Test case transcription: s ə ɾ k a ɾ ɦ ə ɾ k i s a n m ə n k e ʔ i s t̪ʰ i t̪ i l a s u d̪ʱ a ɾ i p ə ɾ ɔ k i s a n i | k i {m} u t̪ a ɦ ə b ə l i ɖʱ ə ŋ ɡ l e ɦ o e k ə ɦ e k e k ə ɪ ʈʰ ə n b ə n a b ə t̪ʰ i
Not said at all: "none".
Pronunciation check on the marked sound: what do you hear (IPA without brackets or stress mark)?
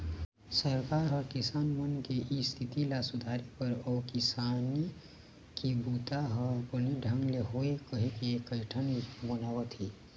b